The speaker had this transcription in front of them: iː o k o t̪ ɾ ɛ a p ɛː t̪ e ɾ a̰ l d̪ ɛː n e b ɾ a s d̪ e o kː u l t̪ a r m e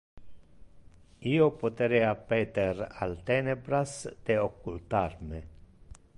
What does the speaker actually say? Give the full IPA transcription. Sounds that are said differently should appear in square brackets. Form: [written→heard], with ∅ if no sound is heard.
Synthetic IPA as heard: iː o [k→p] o t̪ ɾ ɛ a p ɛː t̪ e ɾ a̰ l [d̪→t̪] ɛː n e b ɾ a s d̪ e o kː u l t̪ a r m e